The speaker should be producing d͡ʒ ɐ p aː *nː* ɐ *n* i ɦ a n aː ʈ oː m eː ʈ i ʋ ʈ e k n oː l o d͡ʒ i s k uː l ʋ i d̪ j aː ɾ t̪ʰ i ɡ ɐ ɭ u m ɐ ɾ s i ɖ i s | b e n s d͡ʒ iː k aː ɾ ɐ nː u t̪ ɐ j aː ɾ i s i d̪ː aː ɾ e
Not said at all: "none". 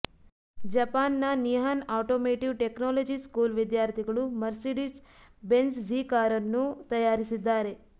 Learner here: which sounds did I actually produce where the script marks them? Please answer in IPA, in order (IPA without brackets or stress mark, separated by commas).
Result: nː, n